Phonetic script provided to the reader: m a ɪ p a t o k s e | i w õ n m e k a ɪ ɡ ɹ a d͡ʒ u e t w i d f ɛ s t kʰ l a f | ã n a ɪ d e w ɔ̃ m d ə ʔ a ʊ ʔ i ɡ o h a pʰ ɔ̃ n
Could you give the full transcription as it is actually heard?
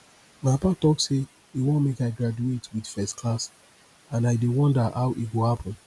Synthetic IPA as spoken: m a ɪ p a t ɔ k s e | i w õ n m e k a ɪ ɡ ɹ a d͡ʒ u e t w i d f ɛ s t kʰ l a s | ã n a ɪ d e w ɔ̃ n d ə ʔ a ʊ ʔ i ɡ o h a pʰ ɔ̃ n

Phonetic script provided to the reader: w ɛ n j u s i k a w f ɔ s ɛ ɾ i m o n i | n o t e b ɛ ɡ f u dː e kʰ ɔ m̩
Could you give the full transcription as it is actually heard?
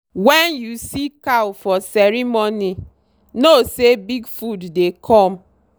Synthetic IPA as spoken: w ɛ n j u s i k a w f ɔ s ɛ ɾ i m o n i | n o s e b i ɡ f u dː e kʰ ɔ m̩

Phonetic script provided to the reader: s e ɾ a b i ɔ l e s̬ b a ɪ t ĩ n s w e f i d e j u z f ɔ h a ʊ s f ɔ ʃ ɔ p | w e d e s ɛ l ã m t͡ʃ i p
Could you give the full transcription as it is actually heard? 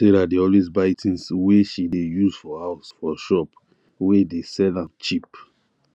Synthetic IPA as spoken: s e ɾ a d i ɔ l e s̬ b a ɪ t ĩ n s w e ʃ i d e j u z f ɔ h a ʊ s f ɔ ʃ ɔ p | w e d e s ɛ l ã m t͡ʃ i p

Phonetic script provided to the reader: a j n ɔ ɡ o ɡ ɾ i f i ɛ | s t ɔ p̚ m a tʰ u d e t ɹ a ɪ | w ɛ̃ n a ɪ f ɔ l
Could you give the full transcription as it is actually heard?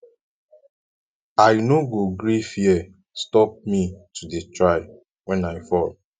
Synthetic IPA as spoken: a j n o ɡ o ɡ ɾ i f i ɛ | s t ɔ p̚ m i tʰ u d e t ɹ a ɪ | w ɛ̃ n a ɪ f ɔ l

